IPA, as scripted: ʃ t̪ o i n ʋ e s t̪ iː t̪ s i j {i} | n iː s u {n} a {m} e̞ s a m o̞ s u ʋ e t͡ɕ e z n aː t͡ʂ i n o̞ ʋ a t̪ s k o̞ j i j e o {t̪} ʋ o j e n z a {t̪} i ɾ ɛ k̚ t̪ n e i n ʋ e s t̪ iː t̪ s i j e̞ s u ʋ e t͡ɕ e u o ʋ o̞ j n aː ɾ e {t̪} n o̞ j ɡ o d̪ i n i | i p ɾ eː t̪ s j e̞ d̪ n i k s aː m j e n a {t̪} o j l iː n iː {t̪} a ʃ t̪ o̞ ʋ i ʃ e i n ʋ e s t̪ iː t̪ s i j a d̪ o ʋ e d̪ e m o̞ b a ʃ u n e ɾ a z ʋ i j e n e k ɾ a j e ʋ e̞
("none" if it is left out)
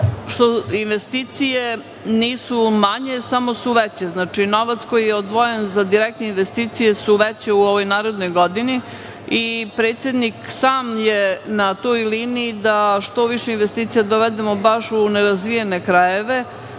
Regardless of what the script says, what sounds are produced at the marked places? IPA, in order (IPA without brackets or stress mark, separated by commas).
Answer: e, m, ɲ, d̪, d̪, d̪, t̪, d̪